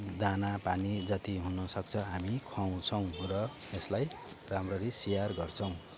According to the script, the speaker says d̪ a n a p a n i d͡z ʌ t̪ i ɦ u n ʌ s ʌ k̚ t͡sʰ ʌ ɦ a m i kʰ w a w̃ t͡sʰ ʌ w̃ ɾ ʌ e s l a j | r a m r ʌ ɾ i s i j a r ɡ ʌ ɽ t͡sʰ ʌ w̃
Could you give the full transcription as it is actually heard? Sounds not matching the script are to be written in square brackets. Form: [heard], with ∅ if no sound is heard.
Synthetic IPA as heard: d̪ a n a p a n i d͡z ʌ t̪ i ɦ u n ʌ s ʌ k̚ t͡sʰ ʌ ɦ a m i kʰ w a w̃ t͡sʰ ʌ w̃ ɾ ʌ e s l a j | r a m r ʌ ɾ i s i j a r ɡ ʌ [r] t͡sʰ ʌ w̃